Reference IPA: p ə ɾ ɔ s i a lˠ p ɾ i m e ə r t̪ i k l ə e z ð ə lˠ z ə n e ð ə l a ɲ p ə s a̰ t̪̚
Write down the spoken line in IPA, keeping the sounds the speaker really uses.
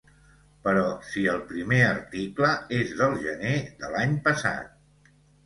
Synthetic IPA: p ə ɾ ɔ s i ə lˠ p ɾ i m e ə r t̪ i k l ə e z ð ə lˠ ʒ ə n e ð ə l a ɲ p ə s a̰ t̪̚